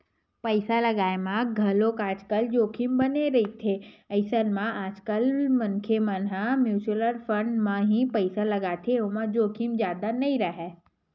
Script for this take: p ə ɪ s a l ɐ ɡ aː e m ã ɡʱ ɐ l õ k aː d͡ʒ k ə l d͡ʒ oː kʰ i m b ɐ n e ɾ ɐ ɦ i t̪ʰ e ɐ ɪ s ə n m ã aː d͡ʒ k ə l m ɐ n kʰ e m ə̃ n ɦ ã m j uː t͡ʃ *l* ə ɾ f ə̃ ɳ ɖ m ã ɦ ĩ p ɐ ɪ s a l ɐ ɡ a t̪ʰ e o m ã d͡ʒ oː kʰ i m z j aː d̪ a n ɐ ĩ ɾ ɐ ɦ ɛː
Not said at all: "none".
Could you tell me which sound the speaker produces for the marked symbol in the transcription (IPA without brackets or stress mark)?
l